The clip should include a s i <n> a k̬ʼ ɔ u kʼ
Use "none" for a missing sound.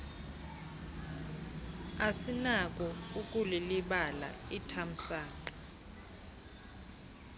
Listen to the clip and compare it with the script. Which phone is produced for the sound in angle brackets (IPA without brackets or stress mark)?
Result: n